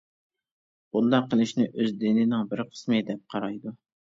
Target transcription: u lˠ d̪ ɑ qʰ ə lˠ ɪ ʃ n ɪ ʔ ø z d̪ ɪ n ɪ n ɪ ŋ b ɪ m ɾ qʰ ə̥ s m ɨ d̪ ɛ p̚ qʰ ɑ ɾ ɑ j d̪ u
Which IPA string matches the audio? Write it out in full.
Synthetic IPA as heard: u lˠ d̪ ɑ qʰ ə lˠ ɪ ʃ n ɪ ʔ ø z d̪ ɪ n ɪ n ɪ ŋ b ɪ ɾ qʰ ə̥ s m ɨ d̪ ɛ p̚ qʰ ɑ ɾ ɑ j d̪ u